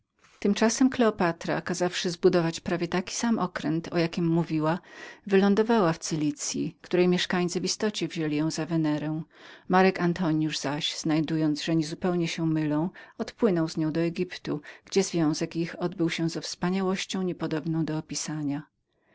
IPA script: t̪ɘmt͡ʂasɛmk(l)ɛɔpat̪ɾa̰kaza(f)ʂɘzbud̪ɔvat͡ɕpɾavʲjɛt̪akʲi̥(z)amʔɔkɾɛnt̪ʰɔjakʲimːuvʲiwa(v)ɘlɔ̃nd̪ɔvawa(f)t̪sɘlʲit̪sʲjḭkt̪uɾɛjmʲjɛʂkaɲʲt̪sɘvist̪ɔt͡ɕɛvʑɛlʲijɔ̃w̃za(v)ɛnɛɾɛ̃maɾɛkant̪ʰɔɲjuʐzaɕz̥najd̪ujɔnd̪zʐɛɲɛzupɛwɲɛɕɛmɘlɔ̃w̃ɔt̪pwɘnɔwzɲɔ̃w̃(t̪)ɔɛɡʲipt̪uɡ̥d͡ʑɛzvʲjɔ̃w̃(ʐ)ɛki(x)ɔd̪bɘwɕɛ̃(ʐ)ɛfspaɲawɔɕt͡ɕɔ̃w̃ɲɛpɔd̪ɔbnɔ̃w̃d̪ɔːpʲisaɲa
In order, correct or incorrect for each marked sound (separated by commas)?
correct, correct, incorrect, correct, correct, correct, incorrect, incorrect, correct, incorrect